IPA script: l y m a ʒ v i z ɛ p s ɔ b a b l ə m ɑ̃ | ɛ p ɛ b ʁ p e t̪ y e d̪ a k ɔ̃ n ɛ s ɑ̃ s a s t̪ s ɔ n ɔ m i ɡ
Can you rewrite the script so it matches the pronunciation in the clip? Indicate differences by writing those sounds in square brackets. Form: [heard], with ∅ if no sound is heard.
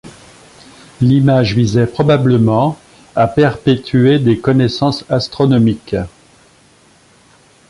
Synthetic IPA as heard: l [i] m a ʒ v i z ɛ p [χ] ɔ b a b l ə m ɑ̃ | [a] p ɛ [∅] ʁ p e t̪ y e d̪ [e] k [ɔ] n ɛ s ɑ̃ s a s t̪ [χ] ɔ n ɔ m i [k]

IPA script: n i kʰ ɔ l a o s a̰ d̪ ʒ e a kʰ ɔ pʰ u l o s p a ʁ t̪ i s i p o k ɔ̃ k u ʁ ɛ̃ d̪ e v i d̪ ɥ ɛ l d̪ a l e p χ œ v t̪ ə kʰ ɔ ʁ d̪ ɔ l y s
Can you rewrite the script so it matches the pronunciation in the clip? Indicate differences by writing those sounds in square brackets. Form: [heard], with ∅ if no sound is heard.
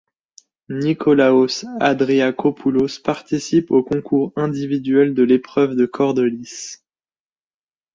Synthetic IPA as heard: n i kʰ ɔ l a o s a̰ d̪ [ʁ] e a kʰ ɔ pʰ u l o s p a ʁ t̪ i s i p o k ɔ̃ k u ʁ ɛ̃ d̪ [i] v i d̪ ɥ ɛ l d̪ [ə] l e p χ œ v [d̪] ə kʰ ɔ ʁ d̪ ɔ l [i] s

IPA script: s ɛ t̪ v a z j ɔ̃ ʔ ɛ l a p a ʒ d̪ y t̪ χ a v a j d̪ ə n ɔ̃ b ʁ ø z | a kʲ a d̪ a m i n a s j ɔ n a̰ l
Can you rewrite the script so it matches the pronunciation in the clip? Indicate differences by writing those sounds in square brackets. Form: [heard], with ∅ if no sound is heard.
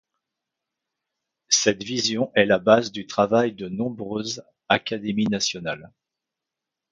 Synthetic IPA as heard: s ɛ t̪ v [i] z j ɔ̃ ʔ ɛ l a [b] a [z] d̪ y t̪ χ a v a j d̪ ə n ɔ̃ b ʁ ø z | a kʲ a d̪ [e] m i n a s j ɔ n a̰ l

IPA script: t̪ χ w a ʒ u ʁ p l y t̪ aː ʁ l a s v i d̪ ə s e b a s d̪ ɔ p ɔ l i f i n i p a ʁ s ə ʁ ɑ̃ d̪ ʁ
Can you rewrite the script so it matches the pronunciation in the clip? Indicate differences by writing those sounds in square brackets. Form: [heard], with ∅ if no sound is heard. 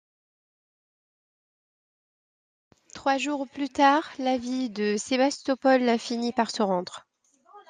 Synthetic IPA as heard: t̪ χ w a ʒ u ʁ p l y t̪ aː ʁ l a [∅] v i d̪ ə s e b a s [t̪] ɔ p ɔ l [a] f i n i p a ʁ s ə ʁ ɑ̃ d̪ ʁ

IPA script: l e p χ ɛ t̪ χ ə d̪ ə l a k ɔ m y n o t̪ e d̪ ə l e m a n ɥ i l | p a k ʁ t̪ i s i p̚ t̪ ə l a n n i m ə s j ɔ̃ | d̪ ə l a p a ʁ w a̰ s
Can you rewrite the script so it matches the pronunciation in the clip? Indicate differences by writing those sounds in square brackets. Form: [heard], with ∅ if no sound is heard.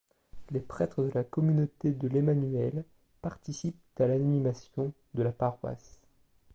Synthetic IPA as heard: l e p χ ɛ t̪ χ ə d̪ ə l a k ɔ m y n o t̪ e d̪ ə l e m a n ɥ [ɛ] l | p a [∅] ʁ t̪ i s i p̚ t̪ [a] l a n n i m [a] s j ɔ̃ | d̪ ə l a p a ʁ w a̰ s

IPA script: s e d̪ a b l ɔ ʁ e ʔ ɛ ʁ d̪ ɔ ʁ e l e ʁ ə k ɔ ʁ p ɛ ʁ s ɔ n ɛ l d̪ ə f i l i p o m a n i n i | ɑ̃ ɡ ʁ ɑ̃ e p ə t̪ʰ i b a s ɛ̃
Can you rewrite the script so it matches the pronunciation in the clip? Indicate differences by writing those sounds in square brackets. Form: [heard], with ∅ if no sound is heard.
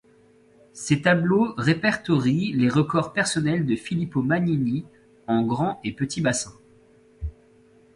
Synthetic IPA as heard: s e [t̪] a b l [o] ʁ e [p] ɛ ʁ [t̪] ɔ ʁ [i] l e ʁ ə k ɔ ʁ p ɛ ʁ s ɔ n ɛ l d̪ ə f i l i p o m a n i n i | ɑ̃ ɡ ʁ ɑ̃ e p ə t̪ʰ i b a s ɛ̃

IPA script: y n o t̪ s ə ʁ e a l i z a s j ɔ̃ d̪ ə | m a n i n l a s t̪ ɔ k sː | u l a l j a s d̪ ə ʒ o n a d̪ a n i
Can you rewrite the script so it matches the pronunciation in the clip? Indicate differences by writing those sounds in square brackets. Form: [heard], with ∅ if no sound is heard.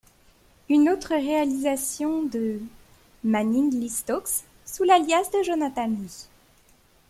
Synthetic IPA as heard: y n o t̪ [χ] ə ʁ e a l i z a s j ɔ̃ d̪ ə | m a n i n l [i] s t̪ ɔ k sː | u l a l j a s d̪ ə ʒ o n a [t̪] a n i

